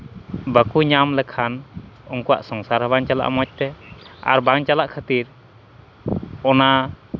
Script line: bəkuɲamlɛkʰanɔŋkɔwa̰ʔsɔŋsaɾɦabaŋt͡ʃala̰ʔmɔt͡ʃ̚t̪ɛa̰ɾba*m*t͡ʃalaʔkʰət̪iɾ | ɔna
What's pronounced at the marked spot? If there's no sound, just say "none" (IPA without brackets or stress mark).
ŋ